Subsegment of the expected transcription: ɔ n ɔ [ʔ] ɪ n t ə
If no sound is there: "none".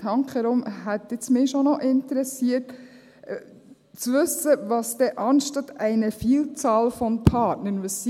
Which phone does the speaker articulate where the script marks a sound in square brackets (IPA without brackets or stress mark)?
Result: ʔ